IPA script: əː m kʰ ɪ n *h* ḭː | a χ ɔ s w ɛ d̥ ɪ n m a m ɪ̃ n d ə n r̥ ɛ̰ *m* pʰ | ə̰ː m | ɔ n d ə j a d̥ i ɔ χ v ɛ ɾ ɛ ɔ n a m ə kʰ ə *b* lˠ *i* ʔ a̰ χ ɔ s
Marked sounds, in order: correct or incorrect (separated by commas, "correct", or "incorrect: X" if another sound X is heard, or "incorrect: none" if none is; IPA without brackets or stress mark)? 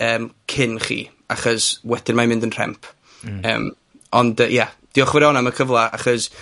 incorrect: χ, correct, incorrect: v, incorrect: a